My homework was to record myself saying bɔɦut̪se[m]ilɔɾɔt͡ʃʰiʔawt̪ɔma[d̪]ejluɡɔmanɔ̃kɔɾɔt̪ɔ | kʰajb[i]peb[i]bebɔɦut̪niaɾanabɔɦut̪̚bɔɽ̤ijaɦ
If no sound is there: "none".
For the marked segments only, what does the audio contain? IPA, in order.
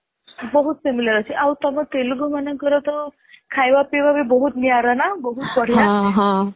m, t̪, a, a

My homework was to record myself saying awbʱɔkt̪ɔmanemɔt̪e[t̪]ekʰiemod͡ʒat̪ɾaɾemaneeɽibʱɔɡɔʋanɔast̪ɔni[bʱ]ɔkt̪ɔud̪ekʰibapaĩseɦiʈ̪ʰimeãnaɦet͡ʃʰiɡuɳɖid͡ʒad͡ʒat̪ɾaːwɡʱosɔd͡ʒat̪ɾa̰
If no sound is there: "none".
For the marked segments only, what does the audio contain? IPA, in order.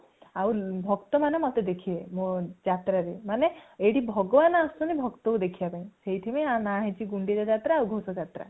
d̪, bʱ

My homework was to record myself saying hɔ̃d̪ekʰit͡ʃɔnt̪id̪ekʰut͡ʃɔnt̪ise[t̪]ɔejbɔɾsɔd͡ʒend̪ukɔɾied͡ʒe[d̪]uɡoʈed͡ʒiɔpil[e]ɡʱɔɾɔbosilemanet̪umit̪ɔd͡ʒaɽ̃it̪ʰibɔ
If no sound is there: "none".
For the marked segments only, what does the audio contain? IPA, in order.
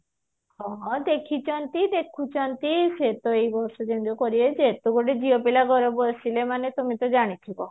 t̪, t̪, a

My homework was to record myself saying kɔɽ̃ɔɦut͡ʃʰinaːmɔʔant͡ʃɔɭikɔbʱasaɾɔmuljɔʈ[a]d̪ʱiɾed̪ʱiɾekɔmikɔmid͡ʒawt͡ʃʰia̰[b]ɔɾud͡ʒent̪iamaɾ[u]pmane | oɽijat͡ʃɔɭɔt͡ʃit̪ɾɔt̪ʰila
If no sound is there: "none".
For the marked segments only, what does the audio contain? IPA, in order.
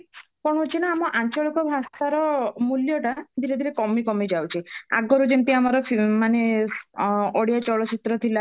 a, ɡ, ɔ

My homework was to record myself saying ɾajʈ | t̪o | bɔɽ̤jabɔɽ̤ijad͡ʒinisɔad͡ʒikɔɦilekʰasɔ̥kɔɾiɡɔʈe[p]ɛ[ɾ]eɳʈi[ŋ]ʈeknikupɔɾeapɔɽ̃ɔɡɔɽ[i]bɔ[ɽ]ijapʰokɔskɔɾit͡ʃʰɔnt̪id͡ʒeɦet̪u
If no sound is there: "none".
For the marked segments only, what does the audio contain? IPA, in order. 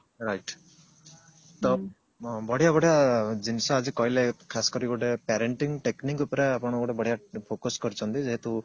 p, ɾ, ŋ, e, ɽ

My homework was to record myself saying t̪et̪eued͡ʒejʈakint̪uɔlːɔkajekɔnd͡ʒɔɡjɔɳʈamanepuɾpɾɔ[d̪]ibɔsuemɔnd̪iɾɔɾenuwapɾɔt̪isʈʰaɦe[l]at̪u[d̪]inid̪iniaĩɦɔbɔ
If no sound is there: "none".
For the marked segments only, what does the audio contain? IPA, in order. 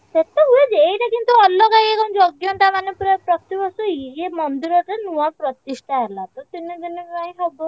t̪, l, t̪

